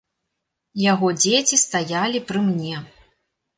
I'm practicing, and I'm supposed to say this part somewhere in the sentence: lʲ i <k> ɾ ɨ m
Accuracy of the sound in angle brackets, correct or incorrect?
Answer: incorrect